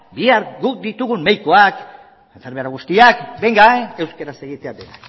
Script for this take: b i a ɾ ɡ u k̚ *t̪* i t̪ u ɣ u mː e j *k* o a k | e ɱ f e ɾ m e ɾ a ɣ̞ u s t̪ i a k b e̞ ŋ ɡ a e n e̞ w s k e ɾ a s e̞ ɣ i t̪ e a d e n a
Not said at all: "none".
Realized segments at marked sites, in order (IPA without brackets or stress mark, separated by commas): d̪, k